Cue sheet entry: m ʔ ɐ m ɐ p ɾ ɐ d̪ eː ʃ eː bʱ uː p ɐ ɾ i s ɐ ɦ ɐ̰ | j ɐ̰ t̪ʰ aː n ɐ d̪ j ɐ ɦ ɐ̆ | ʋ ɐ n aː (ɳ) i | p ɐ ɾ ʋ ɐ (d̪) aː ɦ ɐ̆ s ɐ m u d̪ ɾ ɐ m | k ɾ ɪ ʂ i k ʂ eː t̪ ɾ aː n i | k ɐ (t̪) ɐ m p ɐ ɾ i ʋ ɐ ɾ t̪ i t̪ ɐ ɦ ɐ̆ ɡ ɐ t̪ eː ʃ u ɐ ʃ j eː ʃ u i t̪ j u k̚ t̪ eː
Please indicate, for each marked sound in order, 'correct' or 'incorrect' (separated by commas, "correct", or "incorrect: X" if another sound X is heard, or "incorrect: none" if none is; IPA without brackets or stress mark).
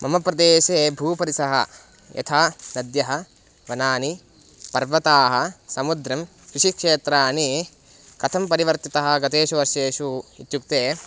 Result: incorrect: n, incorrect: t̪, incorrect: t̪ʰ